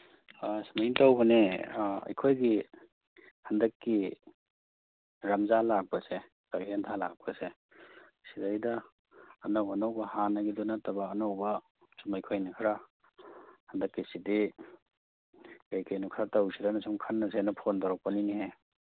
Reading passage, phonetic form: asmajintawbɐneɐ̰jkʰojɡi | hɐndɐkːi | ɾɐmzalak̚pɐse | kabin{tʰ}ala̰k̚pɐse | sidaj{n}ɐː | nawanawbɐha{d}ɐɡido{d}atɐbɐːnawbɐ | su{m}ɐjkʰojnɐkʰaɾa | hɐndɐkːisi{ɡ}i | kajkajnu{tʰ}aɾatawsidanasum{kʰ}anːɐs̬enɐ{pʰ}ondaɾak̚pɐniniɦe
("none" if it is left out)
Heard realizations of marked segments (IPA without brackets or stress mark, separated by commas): tʰ, d, n, n, m, d, kʰ, kʰ, pʰ